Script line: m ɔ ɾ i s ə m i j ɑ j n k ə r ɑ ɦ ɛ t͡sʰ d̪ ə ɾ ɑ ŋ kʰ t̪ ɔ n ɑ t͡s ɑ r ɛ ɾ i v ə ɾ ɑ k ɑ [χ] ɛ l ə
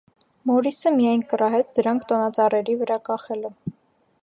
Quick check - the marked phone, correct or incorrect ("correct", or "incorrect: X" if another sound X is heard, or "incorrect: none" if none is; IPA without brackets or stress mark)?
correct